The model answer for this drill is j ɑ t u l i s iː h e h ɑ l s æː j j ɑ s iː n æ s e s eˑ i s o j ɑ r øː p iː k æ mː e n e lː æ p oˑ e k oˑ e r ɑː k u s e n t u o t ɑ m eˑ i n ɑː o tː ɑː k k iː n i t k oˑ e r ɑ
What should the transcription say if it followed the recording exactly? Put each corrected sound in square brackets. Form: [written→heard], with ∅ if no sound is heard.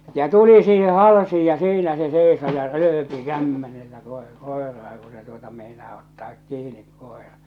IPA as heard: j ɑ t u l i s iː h e h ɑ l s [æː→iː] j j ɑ s iː n æ s e s eˑ i s o j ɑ r øː p [iː→i] k æ mː e n e lː æ [p→k] oˑ e k oˑ e r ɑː k u s e [n→∅] t u o t ɑ m eˑ i n ɑː o tː ɑː k k iː n i [t→k] k oˑ e r ɑ